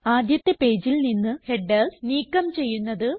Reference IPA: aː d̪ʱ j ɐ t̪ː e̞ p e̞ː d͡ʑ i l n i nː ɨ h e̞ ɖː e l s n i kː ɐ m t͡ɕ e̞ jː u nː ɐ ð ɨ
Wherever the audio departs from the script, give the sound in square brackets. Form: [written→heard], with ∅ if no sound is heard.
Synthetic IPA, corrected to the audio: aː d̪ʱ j ɐ t̪ː e̞ p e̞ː d͡ʑ i l n i nː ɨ h e̞ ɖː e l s n [i→iː] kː ɐ m t͡ɕ e̞ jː u nː ɐ ð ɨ